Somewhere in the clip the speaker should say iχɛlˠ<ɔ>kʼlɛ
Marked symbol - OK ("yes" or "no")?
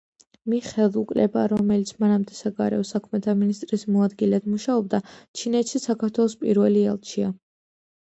no